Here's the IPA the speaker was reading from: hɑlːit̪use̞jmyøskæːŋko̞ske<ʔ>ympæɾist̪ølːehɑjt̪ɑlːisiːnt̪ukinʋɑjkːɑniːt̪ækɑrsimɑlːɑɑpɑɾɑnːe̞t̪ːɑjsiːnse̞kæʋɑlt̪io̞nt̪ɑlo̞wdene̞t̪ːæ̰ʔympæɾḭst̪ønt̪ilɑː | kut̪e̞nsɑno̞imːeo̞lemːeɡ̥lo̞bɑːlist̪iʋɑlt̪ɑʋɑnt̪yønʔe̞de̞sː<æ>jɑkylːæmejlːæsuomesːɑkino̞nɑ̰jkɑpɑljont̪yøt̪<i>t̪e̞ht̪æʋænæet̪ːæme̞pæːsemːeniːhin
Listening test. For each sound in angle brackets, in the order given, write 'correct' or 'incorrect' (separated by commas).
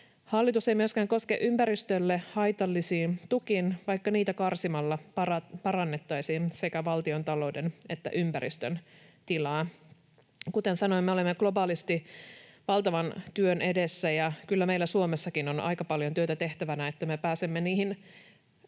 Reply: correct, correct, incorrect